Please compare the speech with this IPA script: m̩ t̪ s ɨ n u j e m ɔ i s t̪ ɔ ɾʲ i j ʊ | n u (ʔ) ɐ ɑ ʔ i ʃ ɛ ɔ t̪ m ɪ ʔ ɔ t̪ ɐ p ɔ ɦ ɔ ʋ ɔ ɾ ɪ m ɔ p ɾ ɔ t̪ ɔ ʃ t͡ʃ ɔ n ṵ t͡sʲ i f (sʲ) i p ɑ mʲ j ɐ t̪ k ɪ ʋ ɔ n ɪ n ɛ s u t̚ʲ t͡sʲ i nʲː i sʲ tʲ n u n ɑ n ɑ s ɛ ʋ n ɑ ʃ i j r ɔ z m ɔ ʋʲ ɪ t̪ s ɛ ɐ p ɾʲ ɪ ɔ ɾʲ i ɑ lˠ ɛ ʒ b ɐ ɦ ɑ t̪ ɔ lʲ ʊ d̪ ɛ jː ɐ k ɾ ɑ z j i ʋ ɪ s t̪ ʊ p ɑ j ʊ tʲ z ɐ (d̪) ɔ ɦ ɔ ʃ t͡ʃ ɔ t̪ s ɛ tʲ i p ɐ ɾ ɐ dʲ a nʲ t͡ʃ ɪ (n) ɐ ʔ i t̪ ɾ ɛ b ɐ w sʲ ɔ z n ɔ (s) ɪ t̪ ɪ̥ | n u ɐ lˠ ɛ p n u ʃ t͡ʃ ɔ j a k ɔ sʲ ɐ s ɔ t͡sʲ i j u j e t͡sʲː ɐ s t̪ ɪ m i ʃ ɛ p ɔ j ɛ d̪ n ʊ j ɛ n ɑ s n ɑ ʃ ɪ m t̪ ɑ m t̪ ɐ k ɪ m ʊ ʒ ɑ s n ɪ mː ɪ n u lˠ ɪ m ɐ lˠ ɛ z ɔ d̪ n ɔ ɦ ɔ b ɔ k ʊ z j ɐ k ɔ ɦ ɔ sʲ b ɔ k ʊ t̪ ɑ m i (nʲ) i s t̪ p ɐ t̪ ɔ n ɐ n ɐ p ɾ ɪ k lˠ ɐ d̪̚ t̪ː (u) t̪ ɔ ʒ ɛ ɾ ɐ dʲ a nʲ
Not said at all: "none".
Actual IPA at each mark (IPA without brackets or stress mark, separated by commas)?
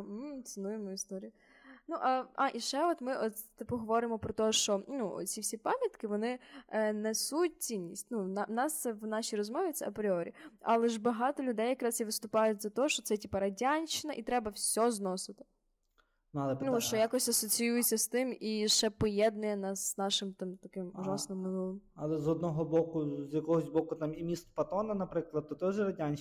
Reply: ʔ, sʲ, t̪, n, s, mʲ, ɔ